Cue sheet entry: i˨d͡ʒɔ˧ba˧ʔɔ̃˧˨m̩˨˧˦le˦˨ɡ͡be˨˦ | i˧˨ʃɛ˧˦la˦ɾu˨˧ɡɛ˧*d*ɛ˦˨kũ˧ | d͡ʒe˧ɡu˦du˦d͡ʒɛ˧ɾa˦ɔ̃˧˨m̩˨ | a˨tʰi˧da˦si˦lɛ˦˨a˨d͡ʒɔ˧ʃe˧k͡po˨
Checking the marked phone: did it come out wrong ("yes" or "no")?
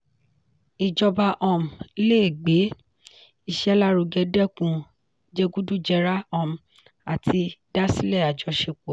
no